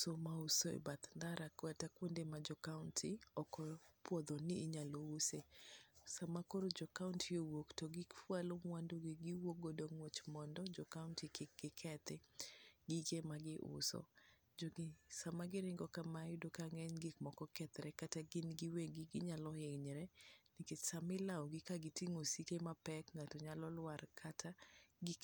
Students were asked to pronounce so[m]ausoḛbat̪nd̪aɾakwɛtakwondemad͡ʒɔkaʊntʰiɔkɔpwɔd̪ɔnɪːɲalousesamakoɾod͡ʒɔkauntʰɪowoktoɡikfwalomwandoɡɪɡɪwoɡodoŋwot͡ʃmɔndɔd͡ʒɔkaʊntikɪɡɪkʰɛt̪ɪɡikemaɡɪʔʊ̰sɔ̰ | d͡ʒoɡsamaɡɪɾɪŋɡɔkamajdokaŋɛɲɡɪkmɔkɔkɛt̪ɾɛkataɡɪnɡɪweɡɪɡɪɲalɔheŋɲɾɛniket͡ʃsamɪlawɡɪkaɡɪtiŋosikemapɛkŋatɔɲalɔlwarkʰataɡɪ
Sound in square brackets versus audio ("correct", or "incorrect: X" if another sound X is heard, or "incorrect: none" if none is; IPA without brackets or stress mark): correct